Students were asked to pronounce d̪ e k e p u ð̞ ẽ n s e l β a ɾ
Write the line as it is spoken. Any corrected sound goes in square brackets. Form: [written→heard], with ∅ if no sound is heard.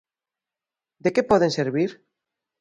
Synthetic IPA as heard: d̪ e k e p [u→ɔ] ð̞ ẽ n s e [l→ɾ] β [a→i] ɾ

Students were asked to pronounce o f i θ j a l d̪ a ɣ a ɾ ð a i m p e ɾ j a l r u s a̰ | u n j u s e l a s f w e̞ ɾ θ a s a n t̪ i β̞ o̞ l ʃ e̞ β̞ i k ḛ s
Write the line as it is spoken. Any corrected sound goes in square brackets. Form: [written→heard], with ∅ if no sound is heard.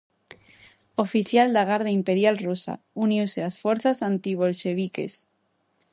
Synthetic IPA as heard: o f i θ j a l d̪ a ɣ a ɾ ð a i m p e ɾ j a l r u s a̰ | u n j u s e l a s f w e̞ ɾ θ a s a n t̪ i β̞ o̞ l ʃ e̞ β̞ i k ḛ s

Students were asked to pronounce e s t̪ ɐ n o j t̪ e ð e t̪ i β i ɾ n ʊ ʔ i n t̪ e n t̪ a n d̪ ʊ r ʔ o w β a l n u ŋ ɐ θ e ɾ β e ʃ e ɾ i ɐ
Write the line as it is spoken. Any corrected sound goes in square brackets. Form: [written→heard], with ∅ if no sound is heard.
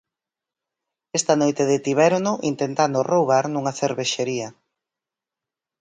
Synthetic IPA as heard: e s t̪ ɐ n o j t̪ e ð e t̪ i β [i→ɛ] ɾ n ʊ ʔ i n t̪ e n t̪ a n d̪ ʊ r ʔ o w β a [l→ɾ] n u ŋ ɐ θ e ɾ β e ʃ e ɾ i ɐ

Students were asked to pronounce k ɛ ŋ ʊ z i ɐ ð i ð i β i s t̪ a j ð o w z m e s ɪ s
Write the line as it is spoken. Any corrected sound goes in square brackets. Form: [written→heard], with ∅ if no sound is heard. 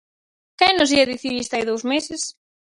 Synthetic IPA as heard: k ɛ [ŋ→n] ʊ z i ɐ ð i [ð→θ] i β i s t̪ a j ð o w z m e s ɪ s

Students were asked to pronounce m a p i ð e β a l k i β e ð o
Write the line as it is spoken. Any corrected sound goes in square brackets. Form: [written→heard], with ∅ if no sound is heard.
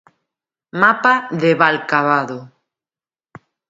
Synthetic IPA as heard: m a p [i→a] ð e β a l k [i→a] β [e→a] ð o

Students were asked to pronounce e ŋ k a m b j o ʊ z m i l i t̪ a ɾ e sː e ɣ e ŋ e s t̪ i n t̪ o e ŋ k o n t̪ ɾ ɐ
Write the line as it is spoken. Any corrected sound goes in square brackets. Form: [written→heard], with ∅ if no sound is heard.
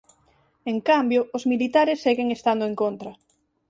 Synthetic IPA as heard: e ŋ k a m b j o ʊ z m i l i t̪ a ɾ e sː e ɣ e ŋ e s t̪ [i→a] n [t̪→d̪] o e ŋ k o n t̪ ɾ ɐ

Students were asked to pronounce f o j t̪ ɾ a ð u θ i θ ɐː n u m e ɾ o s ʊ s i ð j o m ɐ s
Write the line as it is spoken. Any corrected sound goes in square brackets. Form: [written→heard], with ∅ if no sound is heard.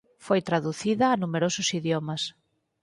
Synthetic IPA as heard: f o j t̪ ɾ a ð u θ i [θ→ð] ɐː n u m e ɾ o s ʊ s i ð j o m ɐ s

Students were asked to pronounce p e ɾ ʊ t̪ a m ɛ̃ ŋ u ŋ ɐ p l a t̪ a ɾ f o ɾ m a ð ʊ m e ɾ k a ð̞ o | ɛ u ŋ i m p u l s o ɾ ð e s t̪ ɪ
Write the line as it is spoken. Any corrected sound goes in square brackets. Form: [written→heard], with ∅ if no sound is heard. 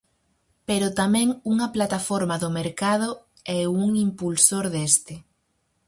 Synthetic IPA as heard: p e ɾ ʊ t̪ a m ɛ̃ ŋ u ŋ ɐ p l a t̪ a [ɾ→∅] f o ɾ m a ð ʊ m e ɾ k a ð̞ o | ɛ u ŋ i m p u l s o ɾ ð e s t̪ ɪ

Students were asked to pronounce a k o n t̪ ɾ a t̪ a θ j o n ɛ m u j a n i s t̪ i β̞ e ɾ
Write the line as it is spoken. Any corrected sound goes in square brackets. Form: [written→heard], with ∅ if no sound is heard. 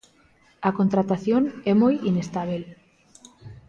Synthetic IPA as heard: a k o n t̪ ɾ a t̪ a θ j o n ɛ m [u→o] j [a→i] n [i→e] s t̪ [i→a] β̞ e [ɾ→l]

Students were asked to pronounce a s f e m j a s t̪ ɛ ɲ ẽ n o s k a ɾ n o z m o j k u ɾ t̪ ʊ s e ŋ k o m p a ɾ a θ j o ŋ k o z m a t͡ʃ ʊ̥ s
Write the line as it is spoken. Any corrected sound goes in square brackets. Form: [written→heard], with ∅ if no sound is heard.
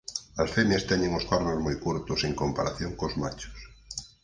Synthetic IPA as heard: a s f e m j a s t̪ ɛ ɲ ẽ [n→ŋ] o s k a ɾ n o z m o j k u ɾ t̪ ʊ s e ŋ k o m p a ɾ a θ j o ŋ k o z m a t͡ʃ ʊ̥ s

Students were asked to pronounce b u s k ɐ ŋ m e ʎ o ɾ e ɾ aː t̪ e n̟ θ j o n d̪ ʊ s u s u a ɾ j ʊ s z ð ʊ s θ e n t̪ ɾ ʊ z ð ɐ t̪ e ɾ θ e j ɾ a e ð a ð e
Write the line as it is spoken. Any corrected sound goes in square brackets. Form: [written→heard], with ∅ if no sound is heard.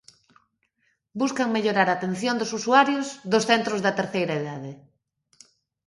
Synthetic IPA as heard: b u s k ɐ ŋ m e ʎ o ɾ [e→a] ɾ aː t̪ e n̟ θ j o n d̪ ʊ s u s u a ɾ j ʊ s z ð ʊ s θ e n t̪ ɾ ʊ z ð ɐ t̪ e ɾ θ e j ɾ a e ð a ð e

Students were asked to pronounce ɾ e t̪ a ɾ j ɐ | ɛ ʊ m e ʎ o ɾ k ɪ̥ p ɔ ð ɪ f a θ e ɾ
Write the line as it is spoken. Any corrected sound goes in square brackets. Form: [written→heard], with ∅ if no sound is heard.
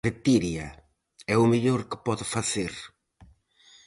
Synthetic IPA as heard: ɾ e t̪ [a→i] ɾ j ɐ | ɛ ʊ m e ʎ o ɾ k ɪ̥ p ɔ ð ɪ f a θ e ɾ

